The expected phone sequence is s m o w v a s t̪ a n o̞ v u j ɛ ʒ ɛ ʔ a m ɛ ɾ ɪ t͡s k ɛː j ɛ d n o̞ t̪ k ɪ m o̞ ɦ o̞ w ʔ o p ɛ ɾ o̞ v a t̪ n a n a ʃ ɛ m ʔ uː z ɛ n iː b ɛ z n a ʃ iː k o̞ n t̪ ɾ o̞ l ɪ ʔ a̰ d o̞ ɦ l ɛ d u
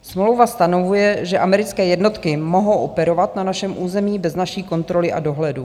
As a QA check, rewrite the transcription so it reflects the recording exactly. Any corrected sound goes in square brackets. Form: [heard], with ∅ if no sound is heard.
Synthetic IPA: s m o w v a s t̪ a n o̞ v u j ɛ ʒ ɛ ʔ a m ɛ ɾ ɪ t͡s k ɛː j ɛ d n o̞ t̪ k ɪ m o̞ ɦ o̞ w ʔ o p ɛ ɾ o̞ v a t̪ n a n a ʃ ɛ m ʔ uː z ɛ [m] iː b ɛ z n a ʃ iː k o̞ n t̪ ɾ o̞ l ɪ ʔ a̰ d o̞ ɦ l ɛ d u

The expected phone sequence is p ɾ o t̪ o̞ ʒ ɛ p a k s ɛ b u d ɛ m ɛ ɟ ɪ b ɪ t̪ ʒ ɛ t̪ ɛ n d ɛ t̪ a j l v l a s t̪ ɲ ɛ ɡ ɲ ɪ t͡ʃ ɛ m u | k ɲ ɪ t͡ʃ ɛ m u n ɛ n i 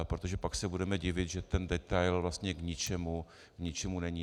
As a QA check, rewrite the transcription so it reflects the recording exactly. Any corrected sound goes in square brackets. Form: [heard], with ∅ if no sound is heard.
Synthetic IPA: p ɾ o t̪ o̞ ʒ ɛ p a k s ɛ b u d ɛ m ɛ ɟ ɪ [v] ɪ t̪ ʒ ɛ t̪ ɛ n d ɛ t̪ a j l v l a s t̪ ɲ ɛ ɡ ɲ ɪ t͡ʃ ɛ m u | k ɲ ɪ t͡ʃ ɛ m u n ɛ [ɲ] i

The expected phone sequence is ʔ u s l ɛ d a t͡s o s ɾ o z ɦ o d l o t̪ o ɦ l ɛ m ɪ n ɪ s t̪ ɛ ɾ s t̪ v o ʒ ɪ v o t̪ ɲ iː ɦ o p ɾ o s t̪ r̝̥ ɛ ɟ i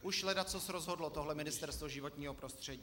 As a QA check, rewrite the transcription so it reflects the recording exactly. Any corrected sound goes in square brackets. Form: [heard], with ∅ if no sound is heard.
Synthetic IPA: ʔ u [ʃ] l ɛ d a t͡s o s ɾ o z ɦ o d l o t̪ o ɦ l ɛ m ɪ n ɪ s t̪ ɛ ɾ s t̪ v o ʒ ɪ v o t̪ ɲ iː ɦ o p ɾ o s t̪ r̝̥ ɛ ɟ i

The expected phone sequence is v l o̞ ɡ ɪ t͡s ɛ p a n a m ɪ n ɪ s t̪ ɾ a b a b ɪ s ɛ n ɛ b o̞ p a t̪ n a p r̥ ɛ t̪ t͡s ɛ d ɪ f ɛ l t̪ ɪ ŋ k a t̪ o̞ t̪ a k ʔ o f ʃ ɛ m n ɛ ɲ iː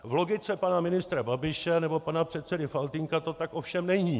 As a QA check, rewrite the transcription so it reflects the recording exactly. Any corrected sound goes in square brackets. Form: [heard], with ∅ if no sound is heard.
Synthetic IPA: v l o̞ ɡ ɪ t͡s ɛ p a n a m ɪ n ɪ s t̪ ɾ a b a b ɪ [ʃ] ɛ n ɛ b o̞ p a [∅] n a p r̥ ɛ t̪ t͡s ɛ d ɪ f [a] l t̪ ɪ ŋ k a t̪ o̞ t̪ a k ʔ o f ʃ ɛ m n ɛ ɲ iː

